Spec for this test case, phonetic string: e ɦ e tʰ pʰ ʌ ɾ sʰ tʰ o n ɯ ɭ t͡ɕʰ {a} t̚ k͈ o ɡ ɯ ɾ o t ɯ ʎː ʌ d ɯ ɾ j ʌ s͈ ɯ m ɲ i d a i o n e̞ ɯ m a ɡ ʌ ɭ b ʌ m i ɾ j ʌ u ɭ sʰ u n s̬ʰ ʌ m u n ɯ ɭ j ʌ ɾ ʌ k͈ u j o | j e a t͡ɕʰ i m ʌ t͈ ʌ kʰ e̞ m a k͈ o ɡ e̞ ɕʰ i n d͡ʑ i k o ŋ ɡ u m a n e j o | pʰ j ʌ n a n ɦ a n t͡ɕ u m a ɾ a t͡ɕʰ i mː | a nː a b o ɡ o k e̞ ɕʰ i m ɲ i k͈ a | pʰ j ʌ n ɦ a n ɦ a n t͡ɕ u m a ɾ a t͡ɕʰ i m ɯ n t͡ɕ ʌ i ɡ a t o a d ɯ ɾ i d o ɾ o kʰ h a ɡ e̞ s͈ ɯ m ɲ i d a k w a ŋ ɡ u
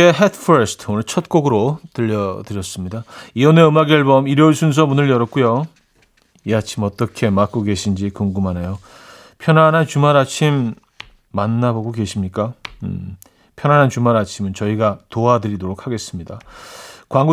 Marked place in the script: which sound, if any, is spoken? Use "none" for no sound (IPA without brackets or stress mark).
ʌ